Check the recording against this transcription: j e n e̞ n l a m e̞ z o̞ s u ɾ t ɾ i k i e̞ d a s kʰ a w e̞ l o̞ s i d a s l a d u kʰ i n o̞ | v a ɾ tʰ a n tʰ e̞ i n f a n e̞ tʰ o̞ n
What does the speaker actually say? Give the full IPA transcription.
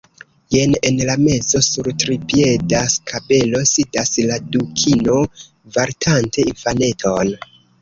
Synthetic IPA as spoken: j e n e̞ n l a m e̞ z o̞ s u ɾ t ɾ i p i e̞ d a s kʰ a b e̞ l o̞ s i d a s l a d u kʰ i n o̞ | v a ɾ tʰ a n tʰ e̞ i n f a n e̞ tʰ o̞ n